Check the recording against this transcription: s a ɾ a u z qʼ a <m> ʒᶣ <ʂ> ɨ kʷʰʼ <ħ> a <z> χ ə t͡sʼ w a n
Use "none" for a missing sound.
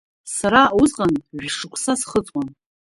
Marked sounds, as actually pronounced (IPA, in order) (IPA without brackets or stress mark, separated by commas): n, ʂ, s, s